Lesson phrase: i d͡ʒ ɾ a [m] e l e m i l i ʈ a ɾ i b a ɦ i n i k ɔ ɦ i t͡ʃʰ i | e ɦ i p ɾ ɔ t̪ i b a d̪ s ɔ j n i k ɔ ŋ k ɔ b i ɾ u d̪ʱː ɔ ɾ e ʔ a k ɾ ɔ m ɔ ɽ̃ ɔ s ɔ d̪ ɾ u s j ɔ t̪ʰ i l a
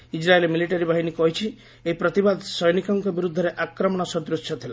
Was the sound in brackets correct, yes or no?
no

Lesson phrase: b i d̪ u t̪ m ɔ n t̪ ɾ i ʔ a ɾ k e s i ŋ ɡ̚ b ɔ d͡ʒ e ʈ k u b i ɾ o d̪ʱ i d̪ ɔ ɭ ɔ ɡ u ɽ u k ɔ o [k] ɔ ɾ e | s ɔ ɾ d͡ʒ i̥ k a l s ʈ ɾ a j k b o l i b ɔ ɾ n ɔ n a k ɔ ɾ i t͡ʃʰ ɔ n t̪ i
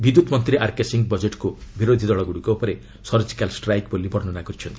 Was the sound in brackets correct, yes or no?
no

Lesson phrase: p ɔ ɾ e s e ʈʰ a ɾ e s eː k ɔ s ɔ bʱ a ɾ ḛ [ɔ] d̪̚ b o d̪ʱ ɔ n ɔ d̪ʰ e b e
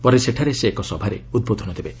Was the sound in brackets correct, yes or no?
no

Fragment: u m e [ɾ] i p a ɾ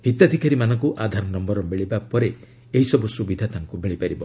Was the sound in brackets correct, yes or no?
no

